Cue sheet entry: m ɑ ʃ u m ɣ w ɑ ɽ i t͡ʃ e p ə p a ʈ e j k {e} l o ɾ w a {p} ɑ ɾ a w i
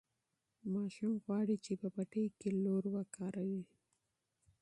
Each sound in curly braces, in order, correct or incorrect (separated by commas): correct, incorrect